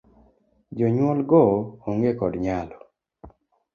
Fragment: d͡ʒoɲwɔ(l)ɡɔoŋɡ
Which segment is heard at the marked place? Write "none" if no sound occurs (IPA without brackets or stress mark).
l